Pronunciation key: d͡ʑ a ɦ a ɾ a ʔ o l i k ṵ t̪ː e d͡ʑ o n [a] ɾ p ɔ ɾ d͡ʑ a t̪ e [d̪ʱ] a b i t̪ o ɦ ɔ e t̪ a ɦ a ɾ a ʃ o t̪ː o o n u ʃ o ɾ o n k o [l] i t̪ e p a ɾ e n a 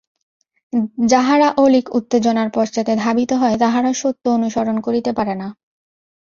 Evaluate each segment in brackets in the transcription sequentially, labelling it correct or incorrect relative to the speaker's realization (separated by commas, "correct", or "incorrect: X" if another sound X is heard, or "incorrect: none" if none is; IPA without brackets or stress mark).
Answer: correct, correct, incorrect: ɾ